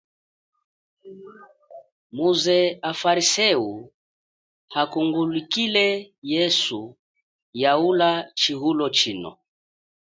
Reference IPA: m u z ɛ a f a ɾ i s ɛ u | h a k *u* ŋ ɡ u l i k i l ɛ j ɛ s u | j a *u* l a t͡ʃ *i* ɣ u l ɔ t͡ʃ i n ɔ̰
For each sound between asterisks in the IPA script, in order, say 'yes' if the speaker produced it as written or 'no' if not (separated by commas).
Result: yes, yes, yes